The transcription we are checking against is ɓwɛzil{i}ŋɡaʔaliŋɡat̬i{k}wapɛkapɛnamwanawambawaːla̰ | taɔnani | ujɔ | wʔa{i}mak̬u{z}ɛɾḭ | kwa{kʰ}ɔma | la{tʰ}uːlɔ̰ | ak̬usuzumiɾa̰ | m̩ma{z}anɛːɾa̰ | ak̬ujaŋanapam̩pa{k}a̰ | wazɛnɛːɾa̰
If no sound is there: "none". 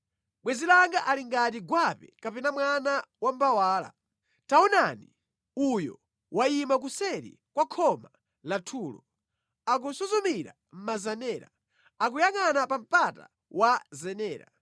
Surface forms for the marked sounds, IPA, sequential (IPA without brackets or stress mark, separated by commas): a, ɡ, i, s, kʰ, tʰ, z, t